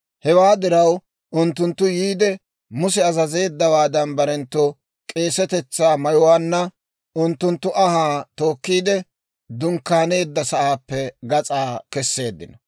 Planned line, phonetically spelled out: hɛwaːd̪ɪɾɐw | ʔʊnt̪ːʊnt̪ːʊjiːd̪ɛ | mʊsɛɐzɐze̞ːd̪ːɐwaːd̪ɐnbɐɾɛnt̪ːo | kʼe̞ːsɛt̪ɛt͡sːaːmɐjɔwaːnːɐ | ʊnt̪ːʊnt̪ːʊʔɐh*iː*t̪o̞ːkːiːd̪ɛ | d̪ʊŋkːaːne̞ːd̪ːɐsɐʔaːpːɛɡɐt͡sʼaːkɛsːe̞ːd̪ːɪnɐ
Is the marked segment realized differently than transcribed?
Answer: yes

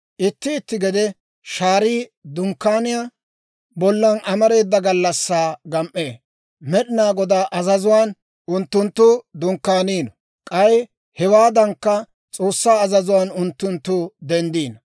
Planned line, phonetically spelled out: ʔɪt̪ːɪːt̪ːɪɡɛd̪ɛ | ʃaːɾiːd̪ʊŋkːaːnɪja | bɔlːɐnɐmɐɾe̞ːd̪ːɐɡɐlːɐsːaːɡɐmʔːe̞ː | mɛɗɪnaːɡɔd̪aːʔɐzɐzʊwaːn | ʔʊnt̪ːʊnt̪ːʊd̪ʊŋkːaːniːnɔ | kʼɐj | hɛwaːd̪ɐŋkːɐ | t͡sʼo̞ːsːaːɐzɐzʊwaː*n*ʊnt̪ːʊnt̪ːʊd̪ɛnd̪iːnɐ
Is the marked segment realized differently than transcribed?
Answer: no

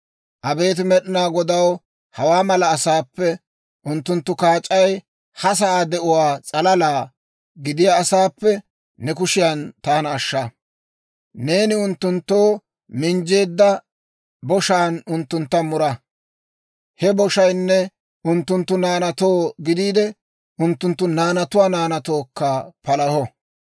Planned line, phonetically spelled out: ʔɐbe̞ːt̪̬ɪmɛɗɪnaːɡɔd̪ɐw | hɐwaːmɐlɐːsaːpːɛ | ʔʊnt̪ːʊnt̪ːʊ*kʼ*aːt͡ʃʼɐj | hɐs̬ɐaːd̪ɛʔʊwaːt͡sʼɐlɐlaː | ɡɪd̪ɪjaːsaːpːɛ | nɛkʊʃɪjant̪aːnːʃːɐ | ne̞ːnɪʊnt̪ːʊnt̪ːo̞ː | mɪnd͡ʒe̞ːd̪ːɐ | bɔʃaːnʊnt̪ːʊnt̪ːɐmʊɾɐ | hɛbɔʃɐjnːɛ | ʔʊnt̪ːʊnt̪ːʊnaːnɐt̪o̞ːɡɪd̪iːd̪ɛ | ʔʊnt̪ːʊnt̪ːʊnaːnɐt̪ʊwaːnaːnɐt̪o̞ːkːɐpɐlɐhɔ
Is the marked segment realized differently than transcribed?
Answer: yes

